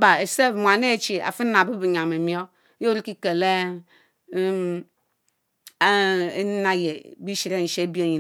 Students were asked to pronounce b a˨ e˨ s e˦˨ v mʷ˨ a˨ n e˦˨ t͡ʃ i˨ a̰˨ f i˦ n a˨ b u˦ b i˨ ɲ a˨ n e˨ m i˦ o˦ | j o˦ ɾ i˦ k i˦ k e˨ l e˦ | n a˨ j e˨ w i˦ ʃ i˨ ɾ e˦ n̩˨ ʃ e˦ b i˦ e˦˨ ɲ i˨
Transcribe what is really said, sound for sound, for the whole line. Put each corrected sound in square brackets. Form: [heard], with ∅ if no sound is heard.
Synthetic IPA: b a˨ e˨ s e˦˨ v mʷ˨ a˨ n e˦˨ t͡ʃ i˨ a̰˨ f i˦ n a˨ b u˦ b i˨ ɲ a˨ [m] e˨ m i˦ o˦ | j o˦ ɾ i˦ k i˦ k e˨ l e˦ | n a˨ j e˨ [b] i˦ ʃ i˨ ɾ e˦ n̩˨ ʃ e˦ b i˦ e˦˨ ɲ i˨